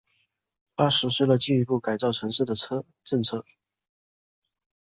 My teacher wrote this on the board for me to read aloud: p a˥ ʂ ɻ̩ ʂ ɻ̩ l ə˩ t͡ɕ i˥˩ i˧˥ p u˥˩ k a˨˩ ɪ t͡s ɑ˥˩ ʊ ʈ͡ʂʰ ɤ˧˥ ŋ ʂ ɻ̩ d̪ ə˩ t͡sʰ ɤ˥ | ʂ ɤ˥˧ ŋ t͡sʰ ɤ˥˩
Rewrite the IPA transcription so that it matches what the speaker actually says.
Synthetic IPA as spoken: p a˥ ʂ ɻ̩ ʂ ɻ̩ l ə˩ t͡ɕ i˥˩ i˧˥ p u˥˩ k a˨˩ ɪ t͡s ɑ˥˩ ʊ ʈ͡ʂʰ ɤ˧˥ ŋ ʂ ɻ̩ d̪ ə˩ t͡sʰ ɤ˥ | ʈ͡ʂ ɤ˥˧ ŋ t͡sʰ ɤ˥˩

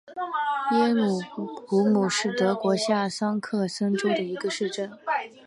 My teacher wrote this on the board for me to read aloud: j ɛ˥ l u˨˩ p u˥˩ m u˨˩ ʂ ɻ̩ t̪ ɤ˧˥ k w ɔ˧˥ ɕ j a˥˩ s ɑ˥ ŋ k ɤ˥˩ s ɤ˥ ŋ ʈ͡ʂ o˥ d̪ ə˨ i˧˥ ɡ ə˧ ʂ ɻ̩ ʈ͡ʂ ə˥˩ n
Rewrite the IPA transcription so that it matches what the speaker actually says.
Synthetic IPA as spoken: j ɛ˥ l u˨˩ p u˧˥ m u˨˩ ʂ ɻ̩ t̪ ɤ˧˥ k w ɔ˧˥ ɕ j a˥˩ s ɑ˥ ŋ kʰ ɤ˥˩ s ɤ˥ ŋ ʈ͡ʂ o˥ d̪ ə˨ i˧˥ ɡ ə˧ ʂ ɻ̩ ʈ͡ʂ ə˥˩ n

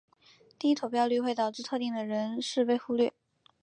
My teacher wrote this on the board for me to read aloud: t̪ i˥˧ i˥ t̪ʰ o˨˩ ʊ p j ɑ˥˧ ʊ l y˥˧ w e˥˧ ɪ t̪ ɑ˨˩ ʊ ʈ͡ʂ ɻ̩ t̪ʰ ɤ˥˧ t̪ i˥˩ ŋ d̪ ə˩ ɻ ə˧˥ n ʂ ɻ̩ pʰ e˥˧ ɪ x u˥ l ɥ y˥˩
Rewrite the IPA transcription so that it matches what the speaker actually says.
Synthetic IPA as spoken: t̪ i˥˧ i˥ t̪ʰ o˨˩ ʊ p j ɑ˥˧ ʊ l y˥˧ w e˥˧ ɪ t̪ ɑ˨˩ ʊ ʈ͡ʂ ɻ̩ t̪ʰ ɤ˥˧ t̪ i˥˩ ŋ d̪ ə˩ ɻ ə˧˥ n ʂ ɻ̩ p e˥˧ ɪ x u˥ l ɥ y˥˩

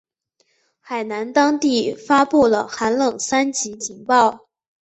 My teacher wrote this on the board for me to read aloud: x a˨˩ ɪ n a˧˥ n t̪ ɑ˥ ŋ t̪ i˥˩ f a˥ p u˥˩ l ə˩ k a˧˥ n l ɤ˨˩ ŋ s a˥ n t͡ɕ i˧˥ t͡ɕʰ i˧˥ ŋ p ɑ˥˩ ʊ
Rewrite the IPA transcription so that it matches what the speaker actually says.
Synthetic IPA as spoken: x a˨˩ ɪ n a˧˥ n t̪ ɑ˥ ŋ t̪ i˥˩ f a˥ p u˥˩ l ə˩ x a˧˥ n l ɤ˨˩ ŋ s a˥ n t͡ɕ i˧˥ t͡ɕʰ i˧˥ ŋ p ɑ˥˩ ʊ

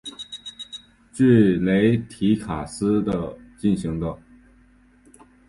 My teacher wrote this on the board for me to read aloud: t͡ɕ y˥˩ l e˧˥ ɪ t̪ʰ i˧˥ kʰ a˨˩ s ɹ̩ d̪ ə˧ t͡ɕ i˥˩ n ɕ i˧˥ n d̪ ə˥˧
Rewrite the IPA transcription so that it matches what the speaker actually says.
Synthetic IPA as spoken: t͡ɕ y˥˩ l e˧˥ ɪ t̪ʰ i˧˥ kʰ a˨˩ s ɹ̩ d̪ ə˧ t͡ɕ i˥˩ n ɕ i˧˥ ŋ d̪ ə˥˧

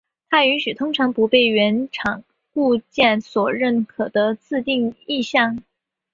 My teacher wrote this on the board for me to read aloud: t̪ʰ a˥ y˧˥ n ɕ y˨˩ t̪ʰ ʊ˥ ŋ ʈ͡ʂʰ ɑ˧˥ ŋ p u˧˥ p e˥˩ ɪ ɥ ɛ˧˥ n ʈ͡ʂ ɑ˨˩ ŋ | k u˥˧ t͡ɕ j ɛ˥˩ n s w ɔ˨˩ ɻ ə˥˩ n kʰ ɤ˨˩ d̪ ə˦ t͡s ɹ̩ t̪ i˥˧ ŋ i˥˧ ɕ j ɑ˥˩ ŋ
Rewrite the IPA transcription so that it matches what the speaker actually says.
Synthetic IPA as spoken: t̪ʰ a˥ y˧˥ n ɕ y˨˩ t̪ʰ ʊ˥ ŋ ʈ͡ʂʰ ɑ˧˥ ŋ p u˧˥ p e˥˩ ɪ ɥ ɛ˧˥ n ʈ͡ʂʰ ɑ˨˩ ŋ | k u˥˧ t͡ɕ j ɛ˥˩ n s w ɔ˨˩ ɻ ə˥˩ n kʰ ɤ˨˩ d̪ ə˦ t͡s ɹ̩ t̪ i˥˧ ŋ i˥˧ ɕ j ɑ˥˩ ŋ

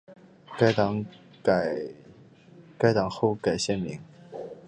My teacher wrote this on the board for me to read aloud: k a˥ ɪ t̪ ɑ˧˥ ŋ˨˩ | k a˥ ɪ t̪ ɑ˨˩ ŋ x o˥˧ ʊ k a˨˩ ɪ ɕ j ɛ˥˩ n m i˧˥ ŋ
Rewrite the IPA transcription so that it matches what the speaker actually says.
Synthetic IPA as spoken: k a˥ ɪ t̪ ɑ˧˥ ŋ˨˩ | k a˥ ɪ t̪ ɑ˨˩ ŋ x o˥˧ ʊ k a˨˩ ɪ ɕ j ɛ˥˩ n m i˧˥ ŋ

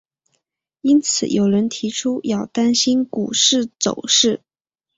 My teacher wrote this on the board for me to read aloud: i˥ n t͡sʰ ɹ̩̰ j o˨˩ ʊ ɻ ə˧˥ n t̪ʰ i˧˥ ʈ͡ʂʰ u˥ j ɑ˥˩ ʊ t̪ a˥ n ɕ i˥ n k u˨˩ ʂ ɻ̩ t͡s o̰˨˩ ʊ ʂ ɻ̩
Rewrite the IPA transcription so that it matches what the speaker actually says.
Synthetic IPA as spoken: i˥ n t͡sʰ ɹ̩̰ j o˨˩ ʊ ɻ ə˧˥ n t̪ʰ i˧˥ ʈ͡ʂʰ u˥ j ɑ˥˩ ʊ t̪ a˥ n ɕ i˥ n k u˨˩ ʂ ɻ̩ t͡s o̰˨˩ ʊ ʂ ɻ̩

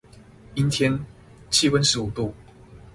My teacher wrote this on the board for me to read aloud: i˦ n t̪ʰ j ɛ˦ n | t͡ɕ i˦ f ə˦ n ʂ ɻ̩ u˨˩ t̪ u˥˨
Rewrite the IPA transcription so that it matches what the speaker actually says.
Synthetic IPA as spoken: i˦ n t̪ʰ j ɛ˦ n | t͡ɕʰ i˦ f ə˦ n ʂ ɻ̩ u˨˩ t̪ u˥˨

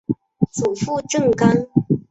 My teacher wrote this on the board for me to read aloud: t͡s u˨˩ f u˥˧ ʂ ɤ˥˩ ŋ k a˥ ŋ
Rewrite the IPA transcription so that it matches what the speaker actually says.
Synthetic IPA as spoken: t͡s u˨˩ f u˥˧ ʈ͡ʂ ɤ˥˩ ŋ k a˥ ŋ

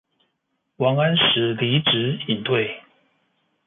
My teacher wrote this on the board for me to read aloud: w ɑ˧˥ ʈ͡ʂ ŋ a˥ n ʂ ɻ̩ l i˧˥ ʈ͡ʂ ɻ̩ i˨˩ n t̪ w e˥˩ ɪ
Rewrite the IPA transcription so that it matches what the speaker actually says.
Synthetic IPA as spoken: w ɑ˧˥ ŋ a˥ n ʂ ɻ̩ l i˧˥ ʈ͡ʂ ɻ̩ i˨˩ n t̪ w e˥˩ ɪ

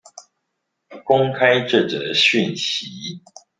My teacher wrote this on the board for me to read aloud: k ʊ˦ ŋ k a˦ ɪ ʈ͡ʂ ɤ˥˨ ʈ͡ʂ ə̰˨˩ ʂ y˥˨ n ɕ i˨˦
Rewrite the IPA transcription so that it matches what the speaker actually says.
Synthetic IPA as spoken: k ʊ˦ ŋ kʰ a˦ ɪ ʈ͡ʂ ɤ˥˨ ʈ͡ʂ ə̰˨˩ ɕ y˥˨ n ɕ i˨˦

